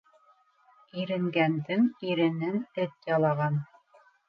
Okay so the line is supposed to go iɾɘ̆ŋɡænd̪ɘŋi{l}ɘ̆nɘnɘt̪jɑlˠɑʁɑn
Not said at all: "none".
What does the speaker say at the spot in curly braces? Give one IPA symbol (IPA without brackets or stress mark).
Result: ɾ